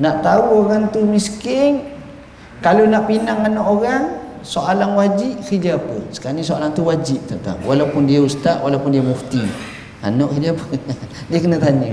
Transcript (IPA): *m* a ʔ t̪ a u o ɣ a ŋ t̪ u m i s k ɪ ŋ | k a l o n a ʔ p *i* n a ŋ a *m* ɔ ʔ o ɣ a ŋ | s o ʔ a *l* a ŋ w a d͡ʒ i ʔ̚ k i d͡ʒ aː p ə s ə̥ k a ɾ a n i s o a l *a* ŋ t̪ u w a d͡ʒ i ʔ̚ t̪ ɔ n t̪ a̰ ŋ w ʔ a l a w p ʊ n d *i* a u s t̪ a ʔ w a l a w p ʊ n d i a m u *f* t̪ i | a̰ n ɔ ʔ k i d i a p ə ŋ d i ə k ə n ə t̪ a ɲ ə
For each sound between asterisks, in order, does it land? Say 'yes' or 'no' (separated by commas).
no, yes, no, yes, yes, yes, yes